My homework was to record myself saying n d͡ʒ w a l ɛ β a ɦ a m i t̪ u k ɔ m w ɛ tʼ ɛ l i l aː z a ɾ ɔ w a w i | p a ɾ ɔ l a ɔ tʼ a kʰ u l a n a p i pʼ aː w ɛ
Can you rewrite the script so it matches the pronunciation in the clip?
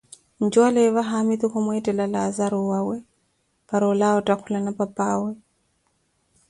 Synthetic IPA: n d͡ʒ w a l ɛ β a ɦ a m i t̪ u k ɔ m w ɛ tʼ ɛ l a l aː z a ɾ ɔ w a w ɛ | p a ɾ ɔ l a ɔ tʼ a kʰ u l a n a p a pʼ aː w ɛ